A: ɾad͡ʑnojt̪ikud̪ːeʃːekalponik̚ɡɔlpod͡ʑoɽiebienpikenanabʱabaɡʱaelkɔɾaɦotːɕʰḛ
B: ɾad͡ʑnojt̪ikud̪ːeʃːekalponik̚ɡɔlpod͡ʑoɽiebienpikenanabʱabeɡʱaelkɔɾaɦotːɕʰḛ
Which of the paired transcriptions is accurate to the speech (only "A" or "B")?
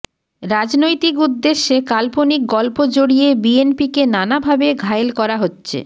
B